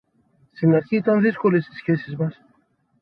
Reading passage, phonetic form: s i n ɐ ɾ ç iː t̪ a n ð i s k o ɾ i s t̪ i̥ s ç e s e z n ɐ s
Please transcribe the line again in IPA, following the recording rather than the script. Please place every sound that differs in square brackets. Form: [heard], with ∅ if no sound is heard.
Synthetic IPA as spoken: s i n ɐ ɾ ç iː t̪ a n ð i s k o [l] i s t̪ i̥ s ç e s [i] z [m] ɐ s